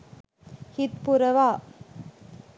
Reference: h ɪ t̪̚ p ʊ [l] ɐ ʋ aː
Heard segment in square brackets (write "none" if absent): ɾ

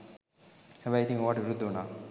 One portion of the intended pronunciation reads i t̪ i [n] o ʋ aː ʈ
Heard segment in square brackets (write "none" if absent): ŋ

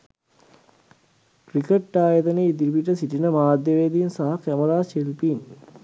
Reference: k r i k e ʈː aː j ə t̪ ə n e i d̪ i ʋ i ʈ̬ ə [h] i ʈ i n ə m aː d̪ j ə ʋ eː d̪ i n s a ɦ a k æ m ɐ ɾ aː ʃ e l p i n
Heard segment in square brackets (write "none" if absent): s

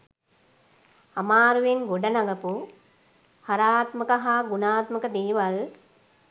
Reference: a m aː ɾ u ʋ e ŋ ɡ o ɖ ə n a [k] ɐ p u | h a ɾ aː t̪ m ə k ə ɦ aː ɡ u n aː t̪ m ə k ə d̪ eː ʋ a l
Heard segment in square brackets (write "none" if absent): ɡ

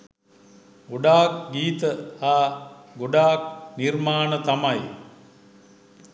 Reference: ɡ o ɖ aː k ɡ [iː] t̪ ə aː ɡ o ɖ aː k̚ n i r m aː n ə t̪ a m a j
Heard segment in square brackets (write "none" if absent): iː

